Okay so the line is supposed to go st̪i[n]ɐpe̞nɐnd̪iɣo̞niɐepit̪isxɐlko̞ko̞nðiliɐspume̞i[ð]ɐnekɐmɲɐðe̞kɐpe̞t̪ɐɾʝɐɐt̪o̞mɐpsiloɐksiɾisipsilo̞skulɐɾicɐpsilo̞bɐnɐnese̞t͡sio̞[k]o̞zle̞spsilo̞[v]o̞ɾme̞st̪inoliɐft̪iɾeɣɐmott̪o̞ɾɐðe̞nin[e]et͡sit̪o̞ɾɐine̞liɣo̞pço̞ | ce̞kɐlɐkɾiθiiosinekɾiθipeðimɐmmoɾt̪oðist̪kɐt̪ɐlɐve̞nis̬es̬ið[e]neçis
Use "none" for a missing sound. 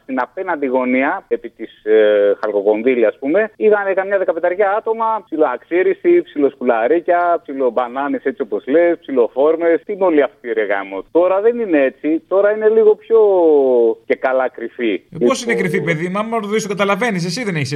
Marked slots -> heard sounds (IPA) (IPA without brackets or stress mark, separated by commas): n, ð, p, f, e, e